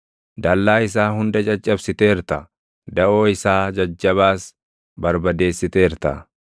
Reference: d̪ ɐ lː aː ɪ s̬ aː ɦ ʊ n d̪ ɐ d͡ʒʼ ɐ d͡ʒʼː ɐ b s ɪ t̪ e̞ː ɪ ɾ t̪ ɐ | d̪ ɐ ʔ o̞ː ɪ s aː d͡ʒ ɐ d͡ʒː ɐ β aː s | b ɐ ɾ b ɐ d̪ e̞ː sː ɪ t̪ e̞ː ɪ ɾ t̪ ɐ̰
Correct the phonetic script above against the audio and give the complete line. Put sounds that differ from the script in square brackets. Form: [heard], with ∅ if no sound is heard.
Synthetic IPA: d̪ ɐ lː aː ɪ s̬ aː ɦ ʊ n d̪ ɐ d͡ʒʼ ɐ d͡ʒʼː ɐ b s ɪ t̪ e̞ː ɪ ɾ t̪ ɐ | d̪ ɐ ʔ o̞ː ɪ s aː d͡ʒ ɐ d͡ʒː ɐ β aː s | b ɐ ɾ b ɐ d̪ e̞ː sː ɪ t̪ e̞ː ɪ ɾ t̪ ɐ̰

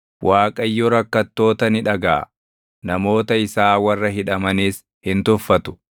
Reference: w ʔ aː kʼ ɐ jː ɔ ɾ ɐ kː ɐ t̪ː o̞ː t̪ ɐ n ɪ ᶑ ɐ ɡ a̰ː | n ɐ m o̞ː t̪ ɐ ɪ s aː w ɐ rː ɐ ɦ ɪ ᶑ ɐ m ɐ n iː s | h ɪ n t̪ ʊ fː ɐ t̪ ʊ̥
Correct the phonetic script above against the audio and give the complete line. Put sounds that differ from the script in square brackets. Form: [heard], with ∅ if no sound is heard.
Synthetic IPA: w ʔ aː kʼ ɐ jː ɔ ɾ ɐ kː ɐ t̪ː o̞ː t̪ ɐ n ɪ ᶑ ɐ ɡ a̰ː | n ɐ m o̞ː t̪ ɐ ɪ s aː w ɐ rː ɐ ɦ ɪ ᶑ ɐ m ɐ n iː s | h ɪ n t̪ ʊ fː ɐ t̪ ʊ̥

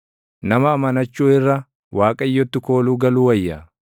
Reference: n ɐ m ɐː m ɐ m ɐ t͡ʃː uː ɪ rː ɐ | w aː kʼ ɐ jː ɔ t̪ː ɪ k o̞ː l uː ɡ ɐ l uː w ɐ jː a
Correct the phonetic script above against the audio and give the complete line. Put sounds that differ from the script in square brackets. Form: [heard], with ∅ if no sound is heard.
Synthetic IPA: n ɐ m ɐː m ɐ [n] ɐ t͡ʃː uː ɪ rː ɐ | w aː kʼ ɐ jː ɔ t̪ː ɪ k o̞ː l uː ɡ ɐ l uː w ɐ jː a

